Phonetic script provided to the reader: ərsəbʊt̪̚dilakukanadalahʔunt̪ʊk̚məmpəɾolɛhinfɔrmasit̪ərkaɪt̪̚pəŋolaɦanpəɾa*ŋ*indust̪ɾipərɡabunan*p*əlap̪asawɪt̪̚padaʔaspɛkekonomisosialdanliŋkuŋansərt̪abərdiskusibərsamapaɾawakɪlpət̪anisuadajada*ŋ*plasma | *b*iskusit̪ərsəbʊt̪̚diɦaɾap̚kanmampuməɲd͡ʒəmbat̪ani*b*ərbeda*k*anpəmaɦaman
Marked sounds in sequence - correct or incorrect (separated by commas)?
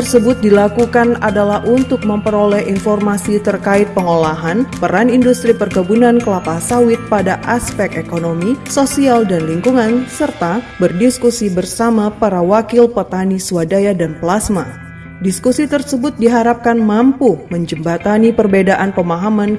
incorrect, incorrect, incorrect, incorrect, incorrect, incorrect